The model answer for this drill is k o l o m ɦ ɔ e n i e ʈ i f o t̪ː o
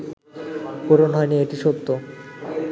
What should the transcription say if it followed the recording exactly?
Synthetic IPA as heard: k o ɾ o n ɦ ɔ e n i e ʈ i ʃ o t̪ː o